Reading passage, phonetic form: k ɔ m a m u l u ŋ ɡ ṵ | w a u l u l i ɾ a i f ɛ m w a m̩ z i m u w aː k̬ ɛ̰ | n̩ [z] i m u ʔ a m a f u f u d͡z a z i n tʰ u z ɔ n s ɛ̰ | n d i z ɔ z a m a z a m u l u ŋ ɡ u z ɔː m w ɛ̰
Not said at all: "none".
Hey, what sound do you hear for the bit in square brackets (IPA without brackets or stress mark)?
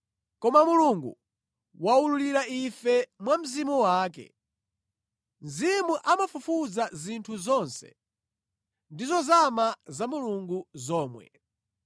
z